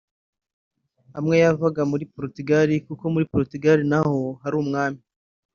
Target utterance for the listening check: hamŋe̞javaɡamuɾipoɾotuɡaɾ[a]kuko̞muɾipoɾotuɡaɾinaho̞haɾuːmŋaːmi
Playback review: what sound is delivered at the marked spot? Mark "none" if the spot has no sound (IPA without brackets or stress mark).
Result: i